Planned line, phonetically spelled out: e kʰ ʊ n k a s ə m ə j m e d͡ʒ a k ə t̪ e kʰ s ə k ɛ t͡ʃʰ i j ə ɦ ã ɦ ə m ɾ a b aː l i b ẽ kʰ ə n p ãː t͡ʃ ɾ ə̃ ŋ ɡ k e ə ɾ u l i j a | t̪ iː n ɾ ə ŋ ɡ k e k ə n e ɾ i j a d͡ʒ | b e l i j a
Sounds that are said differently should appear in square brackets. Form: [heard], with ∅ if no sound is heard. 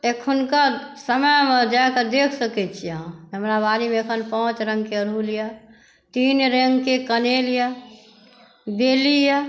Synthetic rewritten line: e kʰ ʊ n k a s ə m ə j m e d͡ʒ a k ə [d̪] e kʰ s ə k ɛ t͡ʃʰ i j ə ɦ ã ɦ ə m ɾ a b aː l i [m] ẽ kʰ ə n p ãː t͡ʃ ɾ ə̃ ŋ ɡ k e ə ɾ u l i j a | t̪ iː n ɾ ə ŋ ɡ k e k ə n e [l] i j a [∅] | b e l i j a